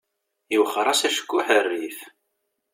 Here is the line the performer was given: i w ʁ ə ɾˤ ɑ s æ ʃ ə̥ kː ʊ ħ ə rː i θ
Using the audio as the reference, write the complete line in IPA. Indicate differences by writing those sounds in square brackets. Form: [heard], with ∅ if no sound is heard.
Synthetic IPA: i w [χ] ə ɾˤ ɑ s æ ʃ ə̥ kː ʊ ħ ə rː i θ